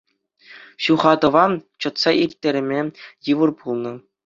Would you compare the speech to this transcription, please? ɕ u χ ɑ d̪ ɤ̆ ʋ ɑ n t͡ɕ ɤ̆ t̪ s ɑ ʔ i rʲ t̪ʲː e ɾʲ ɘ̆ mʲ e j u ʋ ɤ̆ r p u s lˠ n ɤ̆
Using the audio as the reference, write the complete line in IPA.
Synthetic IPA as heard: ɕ u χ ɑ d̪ ɤ̆ ʋ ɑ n t͡ɕ ɤ̆ t̪ s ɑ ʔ i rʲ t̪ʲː e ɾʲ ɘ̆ mʲ e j ɯ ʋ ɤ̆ r p u lˠ n ɤ̆